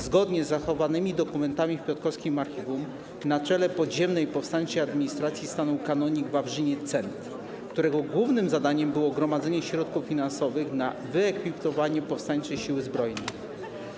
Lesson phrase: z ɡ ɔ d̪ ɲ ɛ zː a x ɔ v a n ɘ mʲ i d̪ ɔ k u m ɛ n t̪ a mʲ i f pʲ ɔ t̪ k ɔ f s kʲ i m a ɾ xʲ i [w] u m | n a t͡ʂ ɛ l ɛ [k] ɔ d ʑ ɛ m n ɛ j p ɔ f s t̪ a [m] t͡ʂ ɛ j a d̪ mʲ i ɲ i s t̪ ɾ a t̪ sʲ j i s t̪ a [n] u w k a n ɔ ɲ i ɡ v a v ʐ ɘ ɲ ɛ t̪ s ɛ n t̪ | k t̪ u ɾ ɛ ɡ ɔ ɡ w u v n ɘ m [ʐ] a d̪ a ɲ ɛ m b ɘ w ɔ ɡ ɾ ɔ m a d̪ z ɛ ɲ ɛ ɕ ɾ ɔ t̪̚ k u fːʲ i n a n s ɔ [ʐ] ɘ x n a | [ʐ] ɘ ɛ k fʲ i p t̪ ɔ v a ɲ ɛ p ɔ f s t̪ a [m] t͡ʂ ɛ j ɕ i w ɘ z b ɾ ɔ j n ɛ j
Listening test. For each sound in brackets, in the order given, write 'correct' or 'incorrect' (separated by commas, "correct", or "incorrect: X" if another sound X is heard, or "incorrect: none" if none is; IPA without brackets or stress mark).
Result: incorrect: v, incorrect: p, incorrect: ɲ, correct, incorrect: z, incorrect: v, incorrect: v, incorrect: ɲ